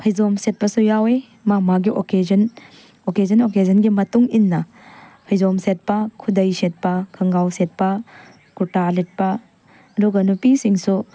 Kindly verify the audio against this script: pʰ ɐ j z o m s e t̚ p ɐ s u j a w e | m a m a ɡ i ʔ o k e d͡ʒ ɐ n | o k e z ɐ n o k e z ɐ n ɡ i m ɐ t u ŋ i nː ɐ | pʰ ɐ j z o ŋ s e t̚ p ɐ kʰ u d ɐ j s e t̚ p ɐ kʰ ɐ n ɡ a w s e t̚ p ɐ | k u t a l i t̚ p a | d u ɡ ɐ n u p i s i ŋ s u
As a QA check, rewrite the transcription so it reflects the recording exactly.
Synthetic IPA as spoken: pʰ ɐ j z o m s e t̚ p ɐ s u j a w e | m a m a ɡ i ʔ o k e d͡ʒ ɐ n | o k e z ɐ n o k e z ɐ n ɡ i m ɐ t u ŋ i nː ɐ | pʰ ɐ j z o m s e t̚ p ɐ kʰ u d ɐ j s e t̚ p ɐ kʰ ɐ ŋ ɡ a w s e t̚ p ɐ | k u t a l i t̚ p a | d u ɡ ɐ n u p i s i ŋ s u